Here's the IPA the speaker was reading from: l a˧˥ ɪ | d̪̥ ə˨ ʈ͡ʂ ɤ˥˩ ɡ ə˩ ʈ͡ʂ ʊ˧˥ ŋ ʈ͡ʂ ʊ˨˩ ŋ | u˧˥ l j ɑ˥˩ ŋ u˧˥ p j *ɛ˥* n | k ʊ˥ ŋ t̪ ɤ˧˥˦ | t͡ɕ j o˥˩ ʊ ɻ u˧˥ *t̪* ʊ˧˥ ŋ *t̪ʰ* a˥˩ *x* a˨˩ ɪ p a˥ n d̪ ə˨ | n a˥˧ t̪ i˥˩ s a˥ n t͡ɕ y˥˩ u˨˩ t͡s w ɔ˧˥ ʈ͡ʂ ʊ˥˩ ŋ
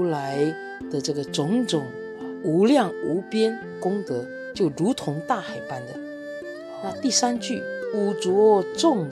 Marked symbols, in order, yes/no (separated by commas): yes, no, no, yes